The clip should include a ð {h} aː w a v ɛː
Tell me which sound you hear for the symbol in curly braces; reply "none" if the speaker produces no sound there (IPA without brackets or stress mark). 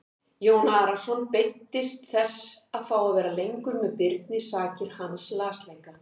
f